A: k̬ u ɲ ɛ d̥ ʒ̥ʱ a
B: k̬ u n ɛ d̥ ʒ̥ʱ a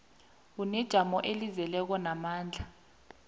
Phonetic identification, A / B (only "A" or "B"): B